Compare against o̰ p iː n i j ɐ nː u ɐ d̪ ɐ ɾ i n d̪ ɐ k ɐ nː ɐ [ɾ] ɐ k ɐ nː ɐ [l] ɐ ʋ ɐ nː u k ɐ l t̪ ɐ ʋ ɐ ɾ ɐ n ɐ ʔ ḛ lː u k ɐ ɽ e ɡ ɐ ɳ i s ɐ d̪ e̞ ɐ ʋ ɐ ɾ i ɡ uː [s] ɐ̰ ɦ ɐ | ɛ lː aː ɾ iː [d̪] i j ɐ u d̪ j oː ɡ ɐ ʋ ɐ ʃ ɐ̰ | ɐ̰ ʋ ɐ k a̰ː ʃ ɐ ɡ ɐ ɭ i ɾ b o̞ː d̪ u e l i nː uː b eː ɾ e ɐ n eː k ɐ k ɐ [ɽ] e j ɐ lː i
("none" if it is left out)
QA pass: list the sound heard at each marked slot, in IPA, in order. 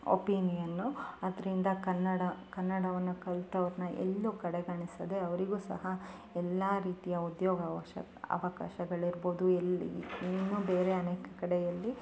ɽ, ɽ, s, t̪, ɽ

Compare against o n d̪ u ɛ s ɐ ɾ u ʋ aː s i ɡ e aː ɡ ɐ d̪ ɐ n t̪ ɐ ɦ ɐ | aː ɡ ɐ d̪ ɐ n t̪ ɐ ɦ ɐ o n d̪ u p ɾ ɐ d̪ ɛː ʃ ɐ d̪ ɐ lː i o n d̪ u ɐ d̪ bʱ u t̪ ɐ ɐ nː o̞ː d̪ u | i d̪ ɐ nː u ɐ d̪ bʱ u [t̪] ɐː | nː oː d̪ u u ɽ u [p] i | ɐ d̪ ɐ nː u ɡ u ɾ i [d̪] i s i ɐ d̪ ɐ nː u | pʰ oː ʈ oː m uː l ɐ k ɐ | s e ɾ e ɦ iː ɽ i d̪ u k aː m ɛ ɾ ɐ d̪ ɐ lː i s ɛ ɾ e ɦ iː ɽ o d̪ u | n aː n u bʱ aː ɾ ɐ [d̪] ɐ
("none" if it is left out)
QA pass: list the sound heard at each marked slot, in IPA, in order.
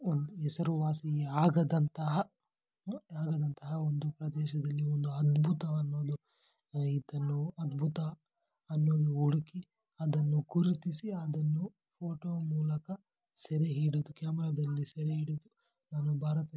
t̪, k, t̪, t̪

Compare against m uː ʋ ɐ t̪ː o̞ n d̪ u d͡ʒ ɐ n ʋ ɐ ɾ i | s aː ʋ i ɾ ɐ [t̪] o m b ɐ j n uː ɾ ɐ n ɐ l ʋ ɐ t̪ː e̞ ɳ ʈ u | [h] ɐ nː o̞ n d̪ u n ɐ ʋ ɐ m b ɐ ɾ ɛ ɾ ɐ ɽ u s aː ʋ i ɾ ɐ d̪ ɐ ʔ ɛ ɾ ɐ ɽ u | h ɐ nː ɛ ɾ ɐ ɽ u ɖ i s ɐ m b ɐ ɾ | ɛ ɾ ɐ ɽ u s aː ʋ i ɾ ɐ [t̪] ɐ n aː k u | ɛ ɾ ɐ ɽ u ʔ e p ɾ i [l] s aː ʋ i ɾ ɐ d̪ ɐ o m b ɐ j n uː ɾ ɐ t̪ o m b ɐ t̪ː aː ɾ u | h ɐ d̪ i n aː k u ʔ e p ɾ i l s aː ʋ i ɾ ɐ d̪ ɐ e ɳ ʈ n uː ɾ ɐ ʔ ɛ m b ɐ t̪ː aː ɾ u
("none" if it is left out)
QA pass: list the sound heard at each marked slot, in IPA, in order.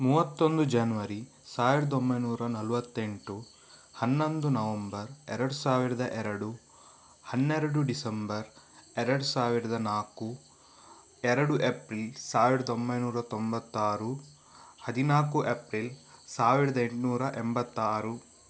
d̪, h, d̪, l

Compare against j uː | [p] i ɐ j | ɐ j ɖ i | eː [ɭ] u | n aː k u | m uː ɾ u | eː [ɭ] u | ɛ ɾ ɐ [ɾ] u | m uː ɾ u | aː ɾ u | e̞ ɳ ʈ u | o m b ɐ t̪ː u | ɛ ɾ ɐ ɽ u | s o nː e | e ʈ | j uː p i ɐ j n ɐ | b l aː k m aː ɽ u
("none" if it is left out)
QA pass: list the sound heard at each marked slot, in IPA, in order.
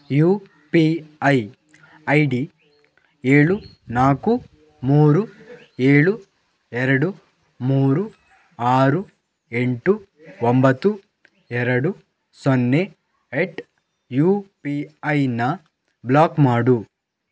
p, ɭ, ɭ, ɽ

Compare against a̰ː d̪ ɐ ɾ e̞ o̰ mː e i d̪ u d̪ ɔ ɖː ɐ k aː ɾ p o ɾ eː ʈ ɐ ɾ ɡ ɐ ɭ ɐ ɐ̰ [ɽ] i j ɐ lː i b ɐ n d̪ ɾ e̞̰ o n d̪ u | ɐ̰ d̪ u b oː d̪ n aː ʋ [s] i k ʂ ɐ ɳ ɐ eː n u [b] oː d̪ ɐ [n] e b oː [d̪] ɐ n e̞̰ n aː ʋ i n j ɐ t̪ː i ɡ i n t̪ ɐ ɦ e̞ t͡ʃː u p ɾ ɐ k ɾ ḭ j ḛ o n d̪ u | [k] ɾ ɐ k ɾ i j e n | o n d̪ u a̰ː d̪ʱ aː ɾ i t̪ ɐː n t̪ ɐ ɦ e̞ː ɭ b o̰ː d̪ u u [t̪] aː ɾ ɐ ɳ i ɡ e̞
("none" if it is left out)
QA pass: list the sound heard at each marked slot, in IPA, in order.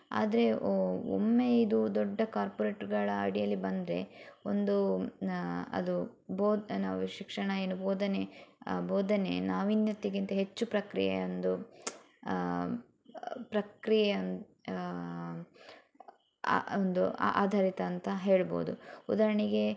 ɽ, ʃ, b, n, d̪, p, d̪

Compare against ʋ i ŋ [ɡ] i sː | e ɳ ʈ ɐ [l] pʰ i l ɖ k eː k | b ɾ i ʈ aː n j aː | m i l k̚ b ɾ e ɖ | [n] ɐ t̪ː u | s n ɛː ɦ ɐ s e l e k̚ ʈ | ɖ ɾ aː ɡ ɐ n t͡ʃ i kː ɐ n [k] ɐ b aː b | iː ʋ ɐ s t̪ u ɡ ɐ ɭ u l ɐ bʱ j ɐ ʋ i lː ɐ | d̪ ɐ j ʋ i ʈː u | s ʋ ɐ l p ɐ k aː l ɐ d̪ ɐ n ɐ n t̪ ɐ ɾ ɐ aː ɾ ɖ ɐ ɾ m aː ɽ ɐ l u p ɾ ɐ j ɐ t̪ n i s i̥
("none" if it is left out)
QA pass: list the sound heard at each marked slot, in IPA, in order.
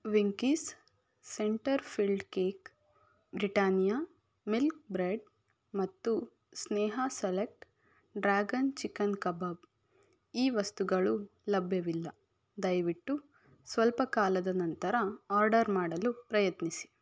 k, ɾ, m, k

